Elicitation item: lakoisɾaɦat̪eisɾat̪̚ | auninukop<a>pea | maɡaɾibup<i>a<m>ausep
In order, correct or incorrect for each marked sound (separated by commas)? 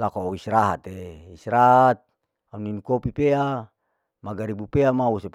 incorrect, incorrect, correct